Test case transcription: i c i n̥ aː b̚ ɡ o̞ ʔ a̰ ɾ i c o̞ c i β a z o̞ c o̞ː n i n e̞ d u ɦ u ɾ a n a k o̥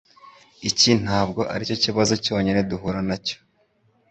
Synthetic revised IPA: i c i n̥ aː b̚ ɡ o̞ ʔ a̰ ɾ i c o̞ c i β a z o̞ c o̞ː ɲ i n e̞ d u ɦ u ɾ a n a c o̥